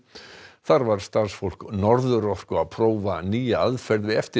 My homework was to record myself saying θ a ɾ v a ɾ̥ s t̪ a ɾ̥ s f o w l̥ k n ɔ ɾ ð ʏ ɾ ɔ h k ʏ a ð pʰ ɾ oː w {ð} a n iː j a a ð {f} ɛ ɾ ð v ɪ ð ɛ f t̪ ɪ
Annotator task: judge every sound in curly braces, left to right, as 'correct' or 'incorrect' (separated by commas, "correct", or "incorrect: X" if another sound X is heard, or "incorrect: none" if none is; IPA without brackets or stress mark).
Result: incorrect: v, correct